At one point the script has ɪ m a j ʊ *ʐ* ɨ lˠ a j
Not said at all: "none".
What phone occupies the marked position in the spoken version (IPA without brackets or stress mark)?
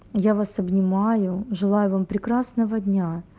ʐ